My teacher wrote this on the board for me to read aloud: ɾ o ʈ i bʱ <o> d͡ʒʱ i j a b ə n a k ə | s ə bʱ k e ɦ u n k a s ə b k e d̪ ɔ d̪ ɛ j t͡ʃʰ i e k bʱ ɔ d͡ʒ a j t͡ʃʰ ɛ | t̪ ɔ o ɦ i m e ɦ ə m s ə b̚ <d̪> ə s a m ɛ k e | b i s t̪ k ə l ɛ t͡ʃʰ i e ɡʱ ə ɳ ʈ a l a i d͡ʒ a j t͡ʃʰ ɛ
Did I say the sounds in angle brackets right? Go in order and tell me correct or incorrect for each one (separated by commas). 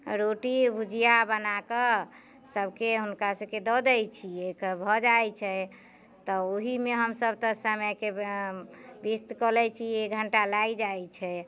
incorrect, incorrect